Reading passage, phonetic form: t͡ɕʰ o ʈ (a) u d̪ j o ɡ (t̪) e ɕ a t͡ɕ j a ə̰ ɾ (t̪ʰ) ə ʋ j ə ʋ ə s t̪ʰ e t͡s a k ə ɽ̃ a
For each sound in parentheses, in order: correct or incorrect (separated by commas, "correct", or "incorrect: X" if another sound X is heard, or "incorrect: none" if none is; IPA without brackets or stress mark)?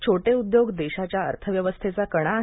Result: incorrect: e, incorrect: d̪, correct